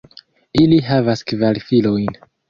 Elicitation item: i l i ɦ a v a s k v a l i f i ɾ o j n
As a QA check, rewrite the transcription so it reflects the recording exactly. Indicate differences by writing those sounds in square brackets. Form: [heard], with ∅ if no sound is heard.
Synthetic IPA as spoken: i l i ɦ a v a s k v a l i f i [l] o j n